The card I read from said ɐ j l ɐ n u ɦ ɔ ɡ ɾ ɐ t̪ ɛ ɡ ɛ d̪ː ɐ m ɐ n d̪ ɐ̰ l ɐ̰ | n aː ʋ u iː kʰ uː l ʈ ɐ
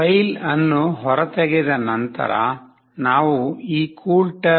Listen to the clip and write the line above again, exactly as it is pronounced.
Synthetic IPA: ɐ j l ɐ nː u ɦ ɔ ɾ ɐ t̪ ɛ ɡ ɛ d̪ ɐ n ɐ n t̪ ɐ̰ ɾ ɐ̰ | n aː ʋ u iː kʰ uː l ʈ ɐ